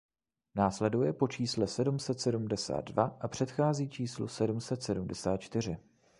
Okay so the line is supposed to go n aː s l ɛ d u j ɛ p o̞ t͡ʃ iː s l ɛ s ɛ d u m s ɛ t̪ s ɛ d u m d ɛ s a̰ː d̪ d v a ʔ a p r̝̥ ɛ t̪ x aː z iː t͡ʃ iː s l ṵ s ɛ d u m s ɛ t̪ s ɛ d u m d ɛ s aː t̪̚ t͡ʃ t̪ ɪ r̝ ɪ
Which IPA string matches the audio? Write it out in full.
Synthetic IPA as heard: n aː s l ɛ d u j ɛ p o̞ t͡ʃ iː s l ɛ s ɛ d u m s ɛ t̪ s ɛ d u m d ɛ s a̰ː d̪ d v a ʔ a p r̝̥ ɛ t̪ x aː z iː t͡ʃ iː s l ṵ s ɛ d u m s ɛ t̪ s ɛ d u m d ɛ s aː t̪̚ t͡ʃ t̪ ɪ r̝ ɪ